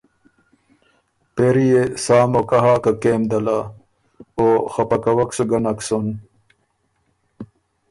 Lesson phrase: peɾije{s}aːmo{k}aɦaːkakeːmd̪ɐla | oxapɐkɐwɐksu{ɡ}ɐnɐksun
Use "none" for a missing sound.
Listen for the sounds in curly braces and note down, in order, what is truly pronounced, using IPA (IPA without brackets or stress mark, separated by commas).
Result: s, k, ɡ